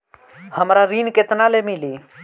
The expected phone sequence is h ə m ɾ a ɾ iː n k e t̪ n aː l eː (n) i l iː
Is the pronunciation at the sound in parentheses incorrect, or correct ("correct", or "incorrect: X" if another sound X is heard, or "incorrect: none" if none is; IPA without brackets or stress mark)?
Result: incorrect: m